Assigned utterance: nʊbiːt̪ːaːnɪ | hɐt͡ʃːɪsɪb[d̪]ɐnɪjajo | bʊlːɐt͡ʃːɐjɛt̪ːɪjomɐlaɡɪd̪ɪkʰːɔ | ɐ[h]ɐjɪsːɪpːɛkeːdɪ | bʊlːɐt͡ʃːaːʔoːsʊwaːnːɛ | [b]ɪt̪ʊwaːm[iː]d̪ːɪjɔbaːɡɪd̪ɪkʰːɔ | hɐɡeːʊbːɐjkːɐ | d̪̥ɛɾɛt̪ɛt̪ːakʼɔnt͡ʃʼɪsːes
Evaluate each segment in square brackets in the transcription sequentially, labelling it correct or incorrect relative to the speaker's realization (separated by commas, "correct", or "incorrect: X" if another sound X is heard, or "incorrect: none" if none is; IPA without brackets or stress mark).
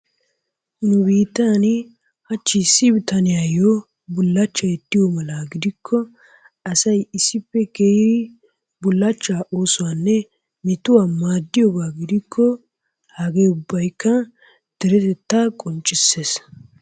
incorrect: t̪, incorrect: s, incorrect: m, incorrect: aː